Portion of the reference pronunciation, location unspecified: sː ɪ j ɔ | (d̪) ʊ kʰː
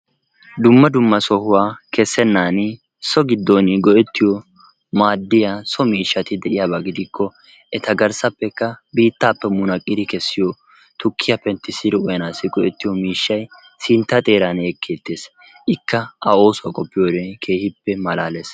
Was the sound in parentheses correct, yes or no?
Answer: no